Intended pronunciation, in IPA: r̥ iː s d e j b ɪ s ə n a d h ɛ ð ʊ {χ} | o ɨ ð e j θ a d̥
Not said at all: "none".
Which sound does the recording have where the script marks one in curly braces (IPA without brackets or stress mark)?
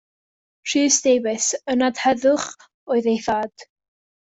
χ